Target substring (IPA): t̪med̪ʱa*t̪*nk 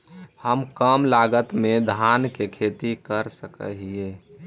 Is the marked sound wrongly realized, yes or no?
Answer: yes